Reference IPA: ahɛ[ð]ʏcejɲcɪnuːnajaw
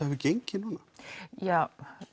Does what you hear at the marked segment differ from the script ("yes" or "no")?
yes